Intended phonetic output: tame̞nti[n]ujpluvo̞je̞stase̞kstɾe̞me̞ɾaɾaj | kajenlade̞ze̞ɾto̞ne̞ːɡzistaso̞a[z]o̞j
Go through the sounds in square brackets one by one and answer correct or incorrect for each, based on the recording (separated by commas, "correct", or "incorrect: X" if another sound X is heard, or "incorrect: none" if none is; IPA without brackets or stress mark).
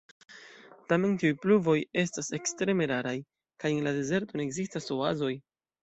incorrect: none, correct